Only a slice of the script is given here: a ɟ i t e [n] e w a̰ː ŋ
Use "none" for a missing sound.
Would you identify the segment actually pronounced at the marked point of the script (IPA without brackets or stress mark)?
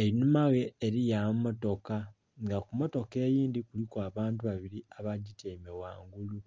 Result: m